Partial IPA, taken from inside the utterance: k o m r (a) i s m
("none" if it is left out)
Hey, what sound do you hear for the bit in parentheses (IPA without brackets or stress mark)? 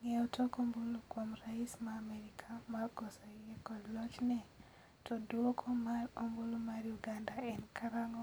a